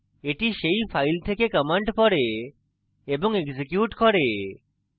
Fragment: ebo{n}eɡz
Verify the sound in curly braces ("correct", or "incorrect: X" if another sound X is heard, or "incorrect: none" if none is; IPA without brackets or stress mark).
incorrect: ŋ